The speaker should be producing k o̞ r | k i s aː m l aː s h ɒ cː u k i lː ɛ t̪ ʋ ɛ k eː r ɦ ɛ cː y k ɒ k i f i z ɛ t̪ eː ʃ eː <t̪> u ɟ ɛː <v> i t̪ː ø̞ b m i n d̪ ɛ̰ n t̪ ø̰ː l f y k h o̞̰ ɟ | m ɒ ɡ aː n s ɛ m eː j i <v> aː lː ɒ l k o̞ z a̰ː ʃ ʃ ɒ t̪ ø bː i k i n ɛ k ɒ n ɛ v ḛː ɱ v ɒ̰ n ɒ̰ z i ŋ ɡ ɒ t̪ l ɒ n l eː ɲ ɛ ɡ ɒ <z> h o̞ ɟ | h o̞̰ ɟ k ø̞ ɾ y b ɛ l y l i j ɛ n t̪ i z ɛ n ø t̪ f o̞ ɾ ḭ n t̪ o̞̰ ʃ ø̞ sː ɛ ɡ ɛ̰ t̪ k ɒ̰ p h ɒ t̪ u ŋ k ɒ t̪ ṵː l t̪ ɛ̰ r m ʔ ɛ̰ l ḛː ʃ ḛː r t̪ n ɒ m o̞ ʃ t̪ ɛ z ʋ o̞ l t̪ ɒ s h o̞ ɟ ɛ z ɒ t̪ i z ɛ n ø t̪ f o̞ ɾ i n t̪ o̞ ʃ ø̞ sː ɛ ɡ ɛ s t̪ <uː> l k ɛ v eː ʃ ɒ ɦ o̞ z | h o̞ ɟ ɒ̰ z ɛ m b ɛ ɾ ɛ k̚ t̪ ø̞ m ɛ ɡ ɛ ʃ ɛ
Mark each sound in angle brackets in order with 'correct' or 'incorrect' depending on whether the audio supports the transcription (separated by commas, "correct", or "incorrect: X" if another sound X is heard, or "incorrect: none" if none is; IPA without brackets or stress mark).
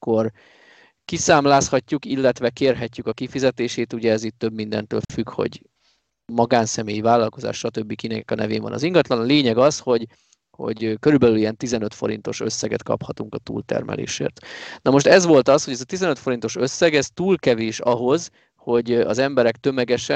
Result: correct, incorrect: z, correct, incorrect: s, correct